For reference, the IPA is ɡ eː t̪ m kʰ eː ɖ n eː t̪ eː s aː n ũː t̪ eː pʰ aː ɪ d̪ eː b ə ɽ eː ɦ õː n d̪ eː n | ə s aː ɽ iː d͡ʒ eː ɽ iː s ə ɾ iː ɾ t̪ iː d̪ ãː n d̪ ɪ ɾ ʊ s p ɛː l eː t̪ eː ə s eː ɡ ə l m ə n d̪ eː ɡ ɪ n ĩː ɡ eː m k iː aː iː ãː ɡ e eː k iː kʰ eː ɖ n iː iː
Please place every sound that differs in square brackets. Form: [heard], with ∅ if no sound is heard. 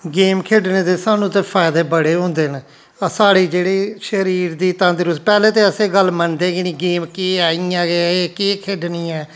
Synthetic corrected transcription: ɡ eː [∅] m kʰ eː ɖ n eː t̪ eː s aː n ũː t̪ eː pʰ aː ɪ d̪ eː b ə ɽ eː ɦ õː n d̪ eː n | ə s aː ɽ iː d͡ʒ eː ɽ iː [ʃ] ə ɾ iː ɾ [d̪] iː [t̪] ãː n d̪ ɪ ɾ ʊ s p ɛː l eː t̪ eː ə s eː ɡ ə l m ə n d̪ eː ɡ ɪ n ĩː ɡ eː m k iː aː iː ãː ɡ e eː k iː kʰ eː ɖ n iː [ɛː]